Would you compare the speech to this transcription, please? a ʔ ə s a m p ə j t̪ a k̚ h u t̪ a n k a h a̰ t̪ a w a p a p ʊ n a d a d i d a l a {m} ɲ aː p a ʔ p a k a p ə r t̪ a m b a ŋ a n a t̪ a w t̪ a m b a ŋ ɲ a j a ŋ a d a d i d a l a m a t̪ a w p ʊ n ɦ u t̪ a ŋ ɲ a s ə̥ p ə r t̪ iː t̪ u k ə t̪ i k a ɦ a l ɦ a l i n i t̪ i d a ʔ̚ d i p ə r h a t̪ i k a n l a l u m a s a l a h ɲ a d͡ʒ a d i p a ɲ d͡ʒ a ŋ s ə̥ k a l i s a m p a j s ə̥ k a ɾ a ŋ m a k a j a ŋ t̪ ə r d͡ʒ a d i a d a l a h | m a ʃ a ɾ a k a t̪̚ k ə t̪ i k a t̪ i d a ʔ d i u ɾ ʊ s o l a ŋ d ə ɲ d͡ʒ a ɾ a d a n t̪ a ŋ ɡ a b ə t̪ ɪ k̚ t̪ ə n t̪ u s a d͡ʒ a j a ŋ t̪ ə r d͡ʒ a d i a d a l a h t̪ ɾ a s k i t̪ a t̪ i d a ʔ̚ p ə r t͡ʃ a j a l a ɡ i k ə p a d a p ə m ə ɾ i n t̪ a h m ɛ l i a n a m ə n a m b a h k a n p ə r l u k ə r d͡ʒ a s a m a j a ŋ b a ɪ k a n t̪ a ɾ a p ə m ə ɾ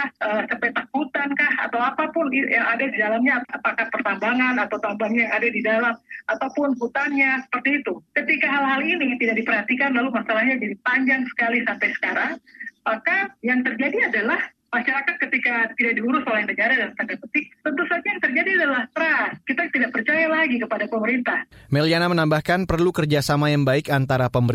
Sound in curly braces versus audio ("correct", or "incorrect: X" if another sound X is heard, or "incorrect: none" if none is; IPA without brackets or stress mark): correct